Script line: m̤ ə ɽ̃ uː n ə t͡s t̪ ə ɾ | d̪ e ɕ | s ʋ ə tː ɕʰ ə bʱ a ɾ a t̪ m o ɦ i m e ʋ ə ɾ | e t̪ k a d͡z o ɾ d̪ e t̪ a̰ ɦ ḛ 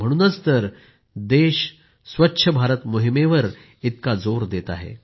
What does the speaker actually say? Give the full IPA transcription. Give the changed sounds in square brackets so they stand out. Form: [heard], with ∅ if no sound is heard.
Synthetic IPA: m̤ ə ɽ̃ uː n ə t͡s t̪ ə ɾ | d̪ e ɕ | s ʋ ə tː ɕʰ ə bʱ a ɾ [ə] t̪ m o ɦ i m e ʋ ə ɾ | [i] t̪ k a d͡z o ɾ d̪ e t̪ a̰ ɦ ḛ

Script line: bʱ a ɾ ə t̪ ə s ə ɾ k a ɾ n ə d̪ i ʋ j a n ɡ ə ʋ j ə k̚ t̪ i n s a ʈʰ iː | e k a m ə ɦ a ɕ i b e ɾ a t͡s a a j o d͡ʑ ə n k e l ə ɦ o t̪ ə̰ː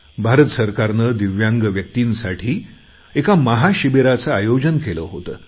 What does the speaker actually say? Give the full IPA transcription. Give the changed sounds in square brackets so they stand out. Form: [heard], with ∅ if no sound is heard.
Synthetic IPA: bʱ a ɾ ə t̪ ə s ə ɾ k a ɾ n ə d̪ i ʋ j a [ŋ] ɡ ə ʋ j ə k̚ t̪ i n s a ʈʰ iː | e k a m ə ɦ a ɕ i b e ɾ a t͡s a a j o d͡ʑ ə n k e l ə ɦ o t̪ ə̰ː

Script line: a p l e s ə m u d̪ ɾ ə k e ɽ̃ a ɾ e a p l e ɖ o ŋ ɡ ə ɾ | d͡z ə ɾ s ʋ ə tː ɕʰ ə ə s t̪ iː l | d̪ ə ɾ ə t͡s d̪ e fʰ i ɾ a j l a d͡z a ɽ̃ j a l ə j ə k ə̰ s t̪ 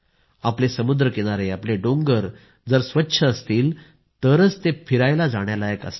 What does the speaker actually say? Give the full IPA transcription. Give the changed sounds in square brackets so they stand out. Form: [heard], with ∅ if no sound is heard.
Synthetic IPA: a p l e s ə m u d̪ ɾ ə k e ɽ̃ a ɾ e a p l e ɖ o ŋ ɡ ə ɾ | d͡z ə ɾ s ʋ ə tː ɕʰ ə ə s t̪ iː l | [t̪] ə ɾ ə t͡s [t̪] e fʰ i ɾ a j l a d͡z a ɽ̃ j a l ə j ə k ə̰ s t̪

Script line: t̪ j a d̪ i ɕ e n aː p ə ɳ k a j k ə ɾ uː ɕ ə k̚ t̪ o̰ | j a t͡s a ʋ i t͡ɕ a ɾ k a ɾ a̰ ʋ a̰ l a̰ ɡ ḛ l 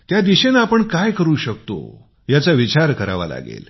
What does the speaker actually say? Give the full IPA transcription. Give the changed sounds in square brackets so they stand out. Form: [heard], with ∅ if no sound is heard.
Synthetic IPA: t̪ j a d̪ i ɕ e n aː p ə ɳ k a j k ə ɾ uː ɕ ə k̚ t̪ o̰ | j a t͡s a ʋ i t͡ɕ a ɾ k [ə] ɾ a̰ ʋ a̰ l a̰ ɡ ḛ l

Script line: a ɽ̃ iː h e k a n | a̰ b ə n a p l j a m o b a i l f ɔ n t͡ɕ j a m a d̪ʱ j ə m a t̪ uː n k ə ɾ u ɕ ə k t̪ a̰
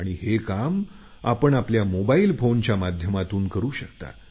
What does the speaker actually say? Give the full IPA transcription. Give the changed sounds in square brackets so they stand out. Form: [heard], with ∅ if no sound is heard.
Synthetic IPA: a ɽ̃ [i] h e k a [m] | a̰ [p] ə [ɳ] a p l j a m o b a i l f [o] n t͡ɕ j a m a d̪ʱ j ə m a t̪ uː n k ə ɾ [uː] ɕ ə k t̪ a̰

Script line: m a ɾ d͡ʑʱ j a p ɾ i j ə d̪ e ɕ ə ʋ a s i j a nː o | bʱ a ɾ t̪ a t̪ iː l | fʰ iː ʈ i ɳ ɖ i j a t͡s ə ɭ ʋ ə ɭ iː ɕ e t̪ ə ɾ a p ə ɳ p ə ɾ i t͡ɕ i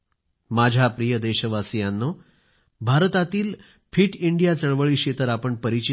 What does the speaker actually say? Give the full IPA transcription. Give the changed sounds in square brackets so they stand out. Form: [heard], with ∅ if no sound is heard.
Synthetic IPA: m a [∅] d͡ʑʱ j a p ɾ i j ə d̪ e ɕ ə ʋ a s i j a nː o | bʱ a ɾ t̪ a t̪ iː l | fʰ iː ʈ i ɳ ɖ i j a t͡s ə ɭ ʋ ə ɭ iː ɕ e t̪ ə ɾ a p ə ɳ p ə ɾ i t͡ɕ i

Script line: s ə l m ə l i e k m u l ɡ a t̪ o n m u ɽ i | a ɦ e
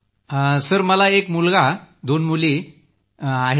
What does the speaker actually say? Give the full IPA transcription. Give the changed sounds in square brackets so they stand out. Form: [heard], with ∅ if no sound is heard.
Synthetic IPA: s ə [ɾ] m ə l [a] e k m u l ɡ a [d̪] o n m u [l] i | a ɦ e

